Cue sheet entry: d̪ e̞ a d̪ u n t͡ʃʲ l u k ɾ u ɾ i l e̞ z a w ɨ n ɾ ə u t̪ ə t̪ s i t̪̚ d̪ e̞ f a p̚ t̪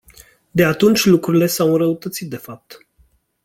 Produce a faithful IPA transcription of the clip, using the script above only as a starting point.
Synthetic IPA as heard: d̪ e̞ a t̪ u n t͡ʃʲ l u k ɾ u ɾ i l e̞ s a w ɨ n ɾ ə u t̪ ə t̪ s i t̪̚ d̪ e̞ f a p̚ t̪